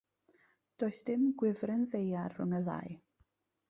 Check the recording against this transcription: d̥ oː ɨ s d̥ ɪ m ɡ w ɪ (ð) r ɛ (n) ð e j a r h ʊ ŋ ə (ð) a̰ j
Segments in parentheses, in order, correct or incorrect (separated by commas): incorrect, correct, correct